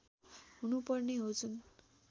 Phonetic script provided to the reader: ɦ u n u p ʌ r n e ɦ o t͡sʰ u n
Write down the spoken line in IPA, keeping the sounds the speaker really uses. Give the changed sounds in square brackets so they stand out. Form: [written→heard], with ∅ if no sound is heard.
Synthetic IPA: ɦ u n u p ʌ r n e ɦ o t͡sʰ u n